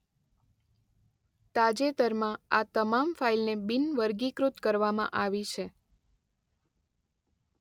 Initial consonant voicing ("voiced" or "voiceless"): voiceless